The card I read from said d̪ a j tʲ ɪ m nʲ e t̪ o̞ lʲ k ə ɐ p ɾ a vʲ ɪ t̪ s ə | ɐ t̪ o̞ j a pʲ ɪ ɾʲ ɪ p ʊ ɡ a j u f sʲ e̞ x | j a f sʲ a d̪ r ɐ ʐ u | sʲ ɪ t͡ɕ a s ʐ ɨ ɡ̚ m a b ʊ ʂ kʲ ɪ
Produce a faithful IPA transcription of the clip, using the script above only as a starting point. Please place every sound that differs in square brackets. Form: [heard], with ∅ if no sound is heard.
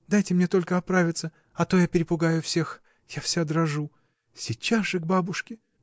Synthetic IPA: d̪ a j tʲ ɪ m nʲ e t̪ o̞ lʲ k ə ɐ p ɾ a vʲ ɪ t̪ s ə | ɐ t̪ o̞ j a pʲ ɪ ɾʲ ɪ p ʊ ɡ a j [ʊ] f sʲ e̞ x | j a f sʲ a d̪ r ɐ ʐ u | sʲ ɪ t͡ɕ a s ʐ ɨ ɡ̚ [b] a b ʊ ʂ kʲ ɪ